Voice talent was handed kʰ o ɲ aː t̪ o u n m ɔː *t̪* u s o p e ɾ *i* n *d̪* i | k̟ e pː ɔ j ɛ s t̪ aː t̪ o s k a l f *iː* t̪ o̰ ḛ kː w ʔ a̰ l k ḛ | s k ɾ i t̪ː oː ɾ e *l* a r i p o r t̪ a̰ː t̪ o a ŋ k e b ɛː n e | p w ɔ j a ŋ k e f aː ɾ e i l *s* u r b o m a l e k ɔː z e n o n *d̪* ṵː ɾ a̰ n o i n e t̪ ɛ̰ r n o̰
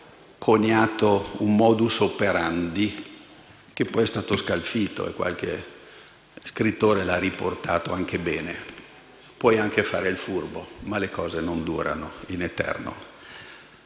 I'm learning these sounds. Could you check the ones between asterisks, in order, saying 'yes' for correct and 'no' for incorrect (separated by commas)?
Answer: no, no, yes, yes, yes, no, yes